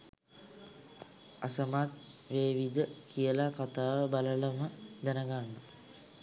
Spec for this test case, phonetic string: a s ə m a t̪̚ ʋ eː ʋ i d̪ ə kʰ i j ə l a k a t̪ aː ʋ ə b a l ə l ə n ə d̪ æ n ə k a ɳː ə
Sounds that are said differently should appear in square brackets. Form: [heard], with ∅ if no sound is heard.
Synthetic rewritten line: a s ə m a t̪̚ ʋ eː ʋ i d̪ ə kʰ i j ə l a k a t̪ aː ʋ ə b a l ə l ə [m] ə d̪ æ n ə [ɡ] a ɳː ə